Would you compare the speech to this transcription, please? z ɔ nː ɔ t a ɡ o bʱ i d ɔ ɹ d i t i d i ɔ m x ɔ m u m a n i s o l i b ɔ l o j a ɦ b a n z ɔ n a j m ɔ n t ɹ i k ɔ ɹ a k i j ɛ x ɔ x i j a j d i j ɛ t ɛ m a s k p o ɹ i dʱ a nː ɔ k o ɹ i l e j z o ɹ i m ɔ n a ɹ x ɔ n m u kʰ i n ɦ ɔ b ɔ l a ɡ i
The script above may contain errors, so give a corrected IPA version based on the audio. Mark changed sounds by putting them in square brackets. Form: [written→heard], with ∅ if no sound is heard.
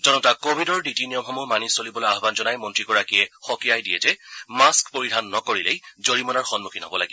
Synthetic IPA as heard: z ɔ [nː→n] ɔ t a [ɡ→k] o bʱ i d ɔ ɹ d i t i [d→n] i ɔ m x ɔ m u m a n i s o l i b ɔ l o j a ɦ b a n z ɔ n a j m ɔ n t ɹ i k ɔ ɹ a k i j ɛ x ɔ [x→k] i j a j d i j ɛ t ɛ m a s k p o ɹ i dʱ a nː ɔ k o ɹ i l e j z o ɹ i m ɔ n a ɹ x ɔ n m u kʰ i n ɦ ɔ b ɔ l a ɡ i